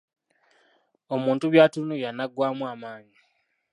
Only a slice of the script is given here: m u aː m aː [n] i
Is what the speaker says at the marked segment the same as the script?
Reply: no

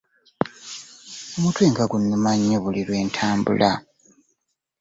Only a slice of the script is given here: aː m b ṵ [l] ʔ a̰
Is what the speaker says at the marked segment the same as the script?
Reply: yes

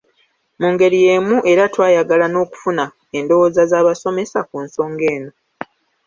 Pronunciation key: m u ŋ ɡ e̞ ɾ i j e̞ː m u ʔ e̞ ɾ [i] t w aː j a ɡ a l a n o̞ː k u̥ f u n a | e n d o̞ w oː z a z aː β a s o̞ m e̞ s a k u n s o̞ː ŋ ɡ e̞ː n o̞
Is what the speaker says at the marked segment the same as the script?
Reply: no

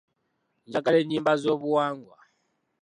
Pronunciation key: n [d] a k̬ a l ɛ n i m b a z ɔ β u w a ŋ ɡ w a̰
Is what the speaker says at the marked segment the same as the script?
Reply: no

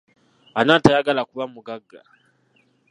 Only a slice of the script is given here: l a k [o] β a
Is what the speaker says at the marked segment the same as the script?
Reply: no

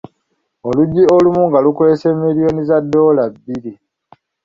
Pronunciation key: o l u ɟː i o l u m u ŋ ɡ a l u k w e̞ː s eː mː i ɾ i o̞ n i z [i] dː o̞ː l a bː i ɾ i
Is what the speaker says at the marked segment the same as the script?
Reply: no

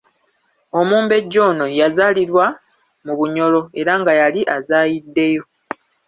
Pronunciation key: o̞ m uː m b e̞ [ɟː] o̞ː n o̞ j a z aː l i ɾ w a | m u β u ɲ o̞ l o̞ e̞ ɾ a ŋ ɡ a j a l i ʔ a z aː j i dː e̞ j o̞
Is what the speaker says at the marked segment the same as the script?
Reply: yes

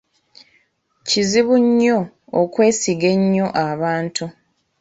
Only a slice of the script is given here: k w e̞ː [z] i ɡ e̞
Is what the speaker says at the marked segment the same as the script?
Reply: no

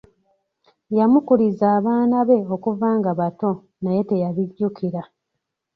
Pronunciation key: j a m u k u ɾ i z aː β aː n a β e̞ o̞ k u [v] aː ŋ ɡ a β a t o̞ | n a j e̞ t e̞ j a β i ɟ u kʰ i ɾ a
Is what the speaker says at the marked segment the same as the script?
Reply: yes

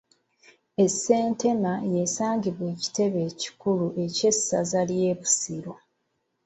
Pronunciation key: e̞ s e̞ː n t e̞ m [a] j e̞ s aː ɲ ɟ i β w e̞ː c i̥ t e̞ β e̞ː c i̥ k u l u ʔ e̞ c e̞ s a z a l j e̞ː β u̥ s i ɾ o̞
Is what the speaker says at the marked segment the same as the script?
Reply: yes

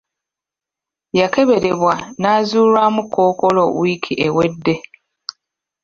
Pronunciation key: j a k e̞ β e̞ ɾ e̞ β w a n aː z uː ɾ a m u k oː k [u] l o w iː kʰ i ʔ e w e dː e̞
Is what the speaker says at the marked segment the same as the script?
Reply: no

